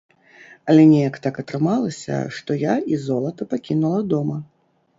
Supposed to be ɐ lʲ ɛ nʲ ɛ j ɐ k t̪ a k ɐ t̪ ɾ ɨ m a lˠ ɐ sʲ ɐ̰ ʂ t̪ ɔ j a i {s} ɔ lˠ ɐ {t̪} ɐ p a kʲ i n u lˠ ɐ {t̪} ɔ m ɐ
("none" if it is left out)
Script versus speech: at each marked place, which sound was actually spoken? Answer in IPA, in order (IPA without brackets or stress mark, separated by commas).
z, t̪, d̪